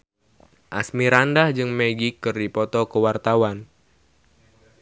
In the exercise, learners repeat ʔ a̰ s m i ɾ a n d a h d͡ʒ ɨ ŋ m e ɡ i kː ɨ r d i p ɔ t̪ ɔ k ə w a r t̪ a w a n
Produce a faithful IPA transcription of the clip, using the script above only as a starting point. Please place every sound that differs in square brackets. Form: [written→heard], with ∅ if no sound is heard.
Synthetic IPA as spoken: ʔ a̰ s m i ɾ a n d a h d͡ʒ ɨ ŋ m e ɡ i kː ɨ r d i p ɔ t̪ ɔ k ə w a r t̪ a w a n